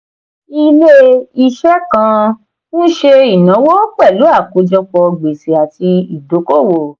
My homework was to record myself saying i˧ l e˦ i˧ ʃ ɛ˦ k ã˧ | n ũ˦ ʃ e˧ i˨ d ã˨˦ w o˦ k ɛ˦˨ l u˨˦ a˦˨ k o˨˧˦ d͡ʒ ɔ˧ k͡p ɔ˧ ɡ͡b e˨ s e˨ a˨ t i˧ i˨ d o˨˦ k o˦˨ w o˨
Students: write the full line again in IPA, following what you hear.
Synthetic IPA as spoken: i˧ l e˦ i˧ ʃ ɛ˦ k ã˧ | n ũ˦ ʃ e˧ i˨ n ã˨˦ w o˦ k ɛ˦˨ l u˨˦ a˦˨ k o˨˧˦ d͡ʒ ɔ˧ k͡p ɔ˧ ɡ͡b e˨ s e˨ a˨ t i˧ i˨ d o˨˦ k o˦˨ w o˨